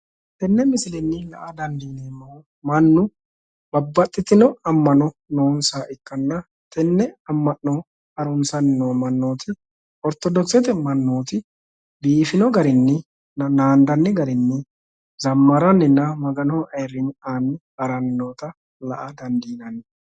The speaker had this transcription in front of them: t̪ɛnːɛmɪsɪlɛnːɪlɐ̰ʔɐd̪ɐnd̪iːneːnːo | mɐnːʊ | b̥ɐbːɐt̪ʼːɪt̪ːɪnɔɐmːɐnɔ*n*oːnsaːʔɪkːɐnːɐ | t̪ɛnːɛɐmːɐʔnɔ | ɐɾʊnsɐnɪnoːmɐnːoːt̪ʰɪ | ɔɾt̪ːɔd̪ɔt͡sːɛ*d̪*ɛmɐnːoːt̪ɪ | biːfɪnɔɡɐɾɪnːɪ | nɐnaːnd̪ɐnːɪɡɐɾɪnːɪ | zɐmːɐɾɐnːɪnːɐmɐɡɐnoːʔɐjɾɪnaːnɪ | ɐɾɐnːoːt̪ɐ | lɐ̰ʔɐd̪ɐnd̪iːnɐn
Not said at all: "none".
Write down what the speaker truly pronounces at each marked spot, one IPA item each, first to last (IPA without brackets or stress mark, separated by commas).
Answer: n, t̪